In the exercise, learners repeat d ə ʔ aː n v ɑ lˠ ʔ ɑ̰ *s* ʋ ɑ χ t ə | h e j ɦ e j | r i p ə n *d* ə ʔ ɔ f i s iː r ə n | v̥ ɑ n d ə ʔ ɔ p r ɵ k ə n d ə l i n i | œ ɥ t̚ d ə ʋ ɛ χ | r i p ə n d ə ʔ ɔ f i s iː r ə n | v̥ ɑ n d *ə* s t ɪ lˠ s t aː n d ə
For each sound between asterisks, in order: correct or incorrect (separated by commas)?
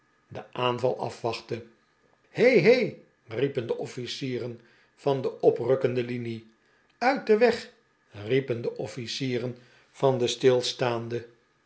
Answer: incorrect, correct, correct